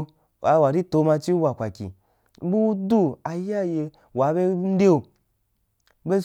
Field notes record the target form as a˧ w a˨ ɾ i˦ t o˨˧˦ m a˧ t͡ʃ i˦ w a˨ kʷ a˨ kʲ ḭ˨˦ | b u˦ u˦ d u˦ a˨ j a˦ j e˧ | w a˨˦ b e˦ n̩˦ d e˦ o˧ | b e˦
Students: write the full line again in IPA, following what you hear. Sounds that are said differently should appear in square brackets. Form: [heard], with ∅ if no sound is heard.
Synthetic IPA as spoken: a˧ w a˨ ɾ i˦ t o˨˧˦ m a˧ t͡ʃ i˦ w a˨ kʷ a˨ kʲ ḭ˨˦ | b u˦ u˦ d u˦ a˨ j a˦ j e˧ | w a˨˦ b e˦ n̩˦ d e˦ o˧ | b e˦

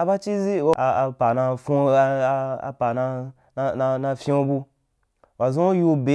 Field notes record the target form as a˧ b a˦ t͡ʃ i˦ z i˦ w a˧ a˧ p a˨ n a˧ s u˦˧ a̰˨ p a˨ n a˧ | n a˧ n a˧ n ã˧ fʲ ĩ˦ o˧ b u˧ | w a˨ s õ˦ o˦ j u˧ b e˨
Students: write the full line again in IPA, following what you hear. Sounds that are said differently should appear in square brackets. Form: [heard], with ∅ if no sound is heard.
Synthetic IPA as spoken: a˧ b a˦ t͡ʃ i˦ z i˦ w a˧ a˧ p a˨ n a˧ [f] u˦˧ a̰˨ p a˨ n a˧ | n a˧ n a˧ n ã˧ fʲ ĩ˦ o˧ b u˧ | w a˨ [z] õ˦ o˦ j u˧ b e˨

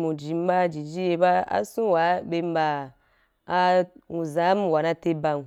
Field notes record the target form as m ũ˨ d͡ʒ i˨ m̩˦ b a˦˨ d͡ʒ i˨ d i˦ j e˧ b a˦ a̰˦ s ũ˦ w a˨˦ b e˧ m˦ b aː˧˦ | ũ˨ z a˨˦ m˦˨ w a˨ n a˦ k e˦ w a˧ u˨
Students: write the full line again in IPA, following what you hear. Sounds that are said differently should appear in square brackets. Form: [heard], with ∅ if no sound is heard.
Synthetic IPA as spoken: m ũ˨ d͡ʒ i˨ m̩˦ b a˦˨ d͡ʒ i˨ [d͡ʒ] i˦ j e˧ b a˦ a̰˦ s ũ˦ w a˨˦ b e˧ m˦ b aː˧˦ | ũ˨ z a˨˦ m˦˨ w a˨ n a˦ [t] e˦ [b] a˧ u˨

